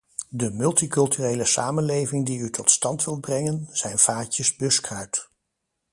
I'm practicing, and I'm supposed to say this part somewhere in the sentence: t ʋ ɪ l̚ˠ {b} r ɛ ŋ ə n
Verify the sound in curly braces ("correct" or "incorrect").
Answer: correct